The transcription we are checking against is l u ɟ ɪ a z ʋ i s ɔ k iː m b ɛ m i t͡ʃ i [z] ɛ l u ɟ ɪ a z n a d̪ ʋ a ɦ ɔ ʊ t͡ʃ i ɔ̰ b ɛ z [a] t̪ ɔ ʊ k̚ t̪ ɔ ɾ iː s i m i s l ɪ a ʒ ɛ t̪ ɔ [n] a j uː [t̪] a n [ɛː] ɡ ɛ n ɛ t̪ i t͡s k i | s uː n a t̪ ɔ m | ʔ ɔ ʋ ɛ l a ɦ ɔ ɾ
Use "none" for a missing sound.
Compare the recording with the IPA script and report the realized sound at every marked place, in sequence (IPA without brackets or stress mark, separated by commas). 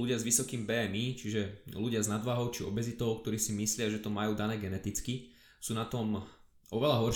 ʒ, i, m, d̪, ɛː